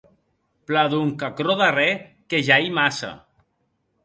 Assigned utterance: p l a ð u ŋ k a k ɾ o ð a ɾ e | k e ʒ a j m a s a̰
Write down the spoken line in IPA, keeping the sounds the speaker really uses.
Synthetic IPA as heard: p l a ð u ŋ k a k ɾ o ð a r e | k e ʒ a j m a s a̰